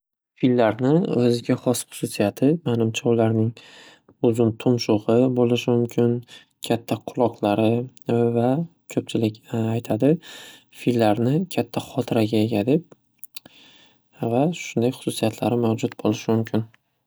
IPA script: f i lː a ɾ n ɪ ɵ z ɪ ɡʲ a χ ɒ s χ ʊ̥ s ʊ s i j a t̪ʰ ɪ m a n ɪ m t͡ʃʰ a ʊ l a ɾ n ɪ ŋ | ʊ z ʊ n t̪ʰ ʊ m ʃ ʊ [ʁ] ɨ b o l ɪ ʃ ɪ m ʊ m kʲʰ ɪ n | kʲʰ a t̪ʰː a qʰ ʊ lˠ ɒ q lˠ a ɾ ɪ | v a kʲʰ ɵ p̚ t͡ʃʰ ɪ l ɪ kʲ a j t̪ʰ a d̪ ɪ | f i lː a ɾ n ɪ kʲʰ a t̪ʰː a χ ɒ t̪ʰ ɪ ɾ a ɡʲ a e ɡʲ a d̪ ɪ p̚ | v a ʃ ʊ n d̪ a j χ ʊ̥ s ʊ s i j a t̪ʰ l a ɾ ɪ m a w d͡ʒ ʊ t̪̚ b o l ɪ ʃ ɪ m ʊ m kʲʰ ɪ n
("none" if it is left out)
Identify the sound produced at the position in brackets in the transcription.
ʁ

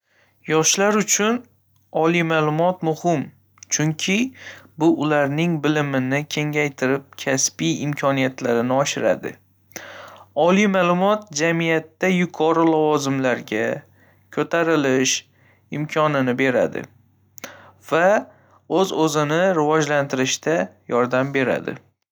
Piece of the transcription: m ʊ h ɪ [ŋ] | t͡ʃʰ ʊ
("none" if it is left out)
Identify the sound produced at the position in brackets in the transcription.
m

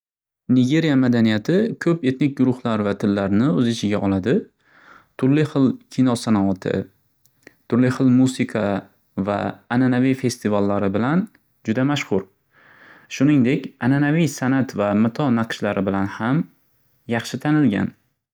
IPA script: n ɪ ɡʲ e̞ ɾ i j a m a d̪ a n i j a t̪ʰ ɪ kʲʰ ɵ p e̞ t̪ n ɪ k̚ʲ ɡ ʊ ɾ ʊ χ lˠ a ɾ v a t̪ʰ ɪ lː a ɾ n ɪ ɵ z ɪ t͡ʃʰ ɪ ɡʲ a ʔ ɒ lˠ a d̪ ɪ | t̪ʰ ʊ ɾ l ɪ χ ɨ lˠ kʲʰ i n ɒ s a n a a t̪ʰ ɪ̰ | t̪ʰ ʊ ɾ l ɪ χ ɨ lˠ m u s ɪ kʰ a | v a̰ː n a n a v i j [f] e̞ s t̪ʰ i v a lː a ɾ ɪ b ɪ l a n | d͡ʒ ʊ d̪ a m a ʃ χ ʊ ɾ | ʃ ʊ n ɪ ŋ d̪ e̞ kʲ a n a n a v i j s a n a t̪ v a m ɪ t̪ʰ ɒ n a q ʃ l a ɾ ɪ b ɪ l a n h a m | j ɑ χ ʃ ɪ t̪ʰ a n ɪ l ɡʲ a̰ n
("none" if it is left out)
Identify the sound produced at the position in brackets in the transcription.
f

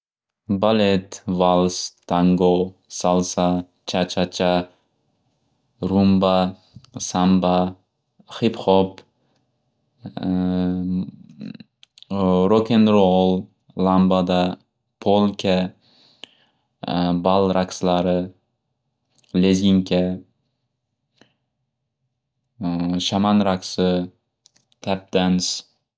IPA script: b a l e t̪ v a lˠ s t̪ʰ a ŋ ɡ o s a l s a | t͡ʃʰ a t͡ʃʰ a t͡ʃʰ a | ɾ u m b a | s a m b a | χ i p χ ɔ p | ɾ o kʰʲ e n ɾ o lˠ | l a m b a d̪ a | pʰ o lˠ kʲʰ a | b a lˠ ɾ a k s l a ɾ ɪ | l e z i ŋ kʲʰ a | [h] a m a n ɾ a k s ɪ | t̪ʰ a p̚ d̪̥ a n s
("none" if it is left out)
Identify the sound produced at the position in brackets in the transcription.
ʃ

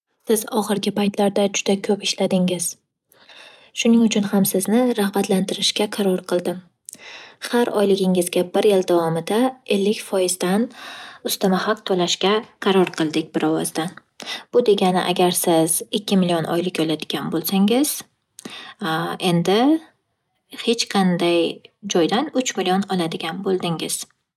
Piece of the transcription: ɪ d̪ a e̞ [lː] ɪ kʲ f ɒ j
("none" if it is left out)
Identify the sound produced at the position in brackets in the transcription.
lː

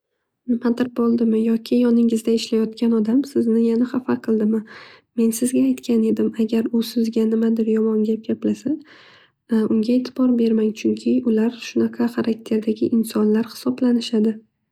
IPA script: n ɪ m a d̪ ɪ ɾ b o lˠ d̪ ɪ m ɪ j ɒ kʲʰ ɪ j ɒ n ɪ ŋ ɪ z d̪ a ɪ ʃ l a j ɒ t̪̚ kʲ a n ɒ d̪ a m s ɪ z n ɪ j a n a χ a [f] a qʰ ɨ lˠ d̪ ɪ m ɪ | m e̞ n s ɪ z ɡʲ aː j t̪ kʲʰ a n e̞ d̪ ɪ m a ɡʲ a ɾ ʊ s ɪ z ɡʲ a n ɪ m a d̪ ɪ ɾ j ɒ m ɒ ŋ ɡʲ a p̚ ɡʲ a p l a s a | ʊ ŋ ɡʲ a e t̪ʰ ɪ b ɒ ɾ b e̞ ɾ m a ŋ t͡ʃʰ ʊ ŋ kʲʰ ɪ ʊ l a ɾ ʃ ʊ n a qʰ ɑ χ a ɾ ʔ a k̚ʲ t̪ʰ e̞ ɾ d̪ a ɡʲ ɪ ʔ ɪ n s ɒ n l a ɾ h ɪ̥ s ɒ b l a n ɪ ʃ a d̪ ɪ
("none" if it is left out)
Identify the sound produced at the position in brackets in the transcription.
f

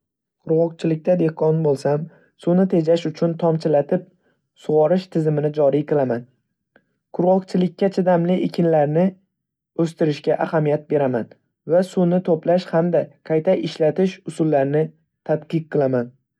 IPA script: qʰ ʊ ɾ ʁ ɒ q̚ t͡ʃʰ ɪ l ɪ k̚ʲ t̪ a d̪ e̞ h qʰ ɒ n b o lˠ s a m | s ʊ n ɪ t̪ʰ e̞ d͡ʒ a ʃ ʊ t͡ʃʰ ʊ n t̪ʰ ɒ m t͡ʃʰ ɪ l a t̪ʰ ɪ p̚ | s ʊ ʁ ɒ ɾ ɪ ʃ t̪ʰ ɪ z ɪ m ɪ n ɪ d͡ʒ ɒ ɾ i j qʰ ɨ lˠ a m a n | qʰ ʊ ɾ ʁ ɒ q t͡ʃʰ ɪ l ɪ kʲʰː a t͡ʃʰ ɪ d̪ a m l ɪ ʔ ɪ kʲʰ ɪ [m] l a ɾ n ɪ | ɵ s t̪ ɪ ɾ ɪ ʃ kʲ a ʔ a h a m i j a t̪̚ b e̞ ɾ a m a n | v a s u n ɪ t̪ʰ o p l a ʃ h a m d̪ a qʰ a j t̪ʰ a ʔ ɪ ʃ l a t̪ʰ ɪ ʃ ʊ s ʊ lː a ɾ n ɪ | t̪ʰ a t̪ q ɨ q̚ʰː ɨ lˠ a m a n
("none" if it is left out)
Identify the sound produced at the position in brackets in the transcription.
n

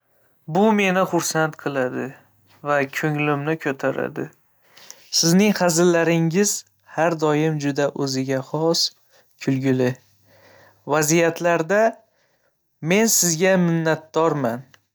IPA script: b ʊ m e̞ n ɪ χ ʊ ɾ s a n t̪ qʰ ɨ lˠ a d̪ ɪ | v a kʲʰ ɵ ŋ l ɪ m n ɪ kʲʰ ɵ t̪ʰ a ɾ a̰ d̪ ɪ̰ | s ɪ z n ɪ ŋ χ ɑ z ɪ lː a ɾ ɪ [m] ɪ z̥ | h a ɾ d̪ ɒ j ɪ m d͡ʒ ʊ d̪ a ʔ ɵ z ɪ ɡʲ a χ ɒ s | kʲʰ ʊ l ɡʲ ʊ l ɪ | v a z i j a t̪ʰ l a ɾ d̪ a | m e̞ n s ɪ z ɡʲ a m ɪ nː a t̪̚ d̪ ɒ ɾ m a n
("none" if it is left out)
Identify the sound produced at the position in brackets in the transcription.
ŋ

